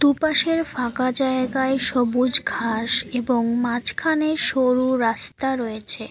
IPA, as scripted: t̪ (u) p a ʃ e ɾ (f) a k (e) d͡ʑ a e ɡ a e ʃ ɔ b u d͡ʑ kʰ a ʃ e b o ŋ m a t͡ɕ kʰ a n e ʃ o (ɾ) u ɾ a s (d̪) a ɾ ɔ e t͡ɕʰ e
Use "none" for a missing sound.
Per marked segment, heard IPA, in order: u, f, a, ɾ, t̪

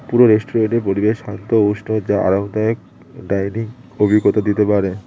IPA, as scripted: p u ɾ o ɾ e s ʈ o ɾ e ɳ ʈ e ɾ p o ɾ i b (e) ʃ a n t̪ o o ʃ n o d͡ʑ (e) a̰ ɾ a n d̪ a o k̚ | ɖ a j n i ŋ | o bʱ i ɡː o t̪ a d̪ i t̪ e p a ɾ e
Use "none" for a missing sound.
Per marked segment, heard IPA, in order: e, a

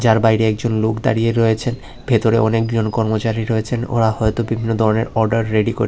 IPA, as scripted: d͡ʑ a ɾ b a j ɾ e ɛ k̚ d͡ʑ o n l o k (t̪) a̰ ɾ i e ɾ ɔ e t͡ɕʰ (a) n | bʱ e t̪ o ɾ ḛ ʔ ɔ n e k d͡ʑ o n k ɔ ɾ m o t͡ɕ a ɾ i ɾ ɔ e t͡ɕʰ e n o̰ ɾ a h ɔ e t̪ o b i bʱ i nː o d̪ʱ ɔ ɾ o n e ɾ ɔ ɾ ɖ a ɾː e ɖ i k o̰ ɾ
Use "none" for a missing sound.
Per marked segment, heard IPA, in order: d̪, e

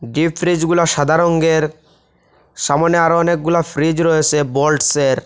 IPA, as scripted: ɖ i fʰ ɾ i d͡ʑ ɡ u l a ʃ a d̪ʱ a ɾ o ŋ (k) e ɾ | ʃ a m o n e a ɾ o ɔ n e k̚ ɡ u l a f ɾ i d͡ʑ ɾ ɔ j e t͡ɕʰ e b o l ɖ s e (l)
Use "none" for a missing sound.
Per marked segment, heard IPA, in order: ɡ, ɾ

